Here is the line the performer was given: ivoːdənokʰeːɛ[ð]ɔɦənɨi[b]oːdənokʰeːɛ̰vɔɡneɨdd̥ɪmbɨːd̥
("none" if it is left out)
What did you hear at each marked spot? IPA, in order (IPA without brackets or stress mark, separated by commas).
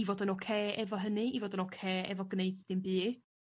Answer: v, v